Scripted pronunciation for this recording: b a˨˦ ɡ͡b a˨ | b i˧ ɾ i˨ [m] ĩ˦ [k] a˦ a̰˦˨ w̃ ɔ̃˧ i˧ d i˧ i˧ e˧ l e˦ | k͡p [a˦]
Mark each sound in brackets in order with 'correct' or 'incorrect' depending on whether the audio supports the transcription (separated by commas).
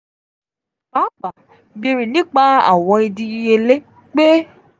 incorrect, incorrect, incorrect